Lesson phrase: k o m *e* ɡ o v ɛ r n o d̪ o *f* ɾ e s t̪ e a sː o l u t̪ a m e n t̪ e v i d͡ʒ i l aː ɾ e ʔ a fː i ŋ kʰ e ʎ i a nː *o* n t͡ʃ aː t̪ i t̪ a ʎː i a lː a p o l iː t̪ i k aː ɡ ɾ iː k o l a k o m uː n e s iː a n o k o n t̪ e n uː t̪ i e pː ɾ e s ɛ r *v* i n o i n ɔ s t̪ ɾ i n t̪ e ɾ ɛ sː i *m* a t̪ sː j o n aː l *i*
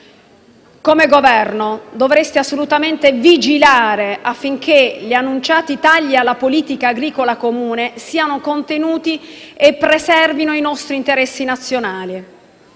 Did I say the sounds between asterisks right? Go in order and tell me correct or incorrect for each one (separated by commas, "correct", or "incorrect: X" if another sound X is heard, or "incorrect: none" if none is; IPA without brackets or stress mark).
correct, incorrect: v, incorrect: u, correct, incorrect: n, correct